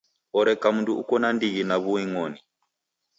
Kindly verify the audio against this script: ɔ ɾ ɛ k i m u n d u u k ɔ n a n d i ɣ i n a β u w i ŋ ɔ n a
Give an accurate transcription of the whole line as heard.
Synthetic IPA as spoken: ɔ ɾ ɛ k a m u n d u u k ɔ n a n d i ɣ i n a β u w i ŋ ɔ n i